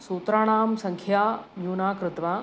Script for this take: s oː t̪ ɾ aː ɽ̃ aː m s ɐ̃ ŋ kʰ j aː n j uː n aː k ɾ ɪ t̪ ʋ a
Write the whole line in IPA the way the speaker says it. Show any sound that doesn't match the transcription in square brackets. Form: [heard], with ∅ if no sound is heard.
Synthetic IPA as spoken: s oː t̪ ɾ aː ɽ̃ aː m s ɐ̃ ŋ kʰ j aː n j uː n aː k ɾ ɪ t̪ ʋ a